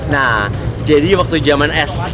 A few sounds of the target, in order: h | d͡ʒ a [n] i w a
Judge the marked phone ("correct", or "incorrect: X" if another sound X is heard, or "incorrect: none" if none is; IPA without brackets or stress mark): incorrect: d